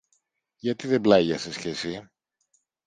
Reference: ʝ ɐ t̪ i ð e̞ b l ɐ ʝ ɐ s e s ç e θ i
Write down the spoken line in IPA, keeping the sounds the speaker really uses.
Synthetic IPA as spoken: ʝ ɐ t̪ i ð e̞ b l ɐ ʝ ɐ s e s ç e s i